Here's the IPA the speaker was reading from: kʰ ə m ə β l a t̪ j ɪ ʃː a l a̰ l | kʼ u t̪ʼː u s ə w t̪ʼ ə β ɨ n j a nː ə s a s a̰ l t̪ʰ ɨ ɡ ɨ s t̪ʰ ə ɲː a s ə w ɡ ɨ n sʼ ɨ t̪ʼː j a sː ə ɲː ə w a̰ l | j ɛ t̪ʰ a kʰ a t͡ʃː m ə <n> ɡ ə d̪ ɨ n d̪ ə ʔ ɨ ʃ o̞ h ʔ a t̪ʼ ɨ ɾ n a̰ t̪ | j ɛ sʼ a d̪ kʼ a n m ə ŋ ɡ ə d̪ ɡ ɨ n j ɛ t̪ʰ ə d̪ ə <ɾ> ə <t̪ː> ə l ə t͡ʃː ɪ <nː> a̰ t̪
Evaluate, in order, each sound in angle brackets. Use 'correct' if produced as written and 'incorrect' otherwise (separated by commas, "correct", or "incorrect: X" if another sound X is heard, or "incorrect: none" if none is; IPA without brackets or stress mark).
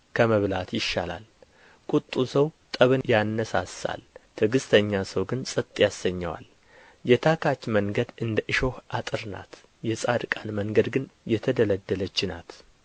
incorrect: ŋ, incorrect: l, incorrect: d̪ː, incorrect: n